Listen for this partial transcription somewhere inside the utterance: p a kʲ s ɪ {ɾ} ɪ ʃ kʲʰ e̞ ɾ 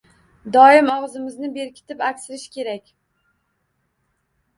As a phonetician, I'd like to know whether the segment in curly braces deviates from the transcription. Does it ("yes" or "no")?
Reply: no